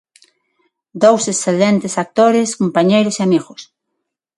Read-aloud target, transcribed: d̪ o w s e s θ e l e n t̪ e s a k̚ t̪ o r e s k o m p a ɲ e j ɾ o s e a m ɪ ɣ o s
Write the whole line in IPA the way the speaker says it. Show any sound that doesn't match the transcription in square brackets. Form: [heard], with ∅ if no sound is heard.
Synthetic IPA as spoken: d̪ o w s e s θ e l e n t̪ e s a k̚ t̪ o [ɾ] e s k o m p a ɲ e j ɾ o s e a m [i] ɣ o s